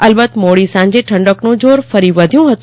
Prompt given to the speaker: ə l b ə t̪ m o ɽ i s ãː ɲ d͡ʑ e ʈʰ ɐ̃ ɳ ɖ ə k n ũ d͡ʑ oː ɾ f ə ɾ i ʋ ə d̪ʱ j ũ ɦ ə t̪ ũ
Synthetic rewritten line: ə l b ə t̪ m o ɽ i s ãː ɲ d͡ʑ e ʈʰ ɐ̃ ɳ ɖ ə k n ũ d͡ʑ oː ɾ f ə ɾ i ʋ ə d̪ʱ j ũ ɦ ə t̪ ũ